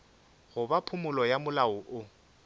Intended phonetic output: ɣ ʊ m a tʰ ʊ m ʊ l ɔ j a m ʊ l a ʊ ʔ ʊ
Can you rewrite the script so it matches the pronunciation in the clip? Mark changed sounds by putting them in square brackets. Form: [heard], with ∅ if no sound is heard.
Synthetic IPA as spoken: ɣ ʊ [b] a [pʰ] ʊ m ʊ l ɔ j a m ʊ l a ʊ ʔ ʊ